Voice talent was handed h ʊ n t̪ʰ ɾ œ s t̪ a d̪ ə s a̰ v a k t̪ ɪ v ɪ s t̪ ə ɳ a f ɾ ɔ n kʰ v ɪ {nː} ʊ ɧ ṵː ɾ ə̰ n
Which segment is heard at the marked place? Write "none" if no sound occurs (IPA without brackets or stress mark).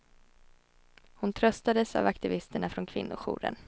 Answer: nː